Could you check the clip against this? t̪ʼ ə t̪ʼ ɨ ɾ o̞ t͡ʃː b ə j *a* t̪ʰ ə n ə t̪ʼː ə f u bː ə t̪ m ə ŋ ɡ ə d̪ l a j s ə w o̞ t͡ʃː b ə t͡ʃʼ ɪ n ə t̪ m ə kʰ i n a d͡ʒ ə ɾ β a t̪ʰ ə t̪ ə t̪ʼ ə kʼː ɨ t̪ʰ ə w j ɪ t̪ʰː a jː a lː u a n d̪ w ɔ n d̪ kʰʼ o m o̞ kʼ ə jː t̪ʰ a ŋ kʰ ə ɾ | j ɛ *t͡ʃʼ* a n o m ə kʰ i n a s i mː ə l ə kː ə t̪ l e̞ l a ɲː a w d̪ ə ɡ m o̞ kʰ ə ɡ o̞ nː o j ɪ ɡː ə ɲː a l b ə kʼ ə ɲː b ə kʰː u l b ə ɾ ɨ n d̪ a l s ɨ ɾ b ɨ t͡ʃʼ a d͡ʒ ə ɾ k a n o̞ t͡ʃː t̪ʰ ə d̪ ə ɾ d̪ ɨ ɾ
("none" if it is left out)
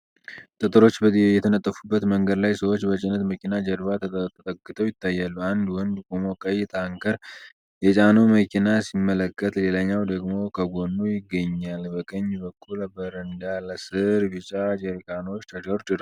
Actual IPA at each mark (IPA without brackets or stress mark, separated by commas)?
ɛ, t͡ʃʼ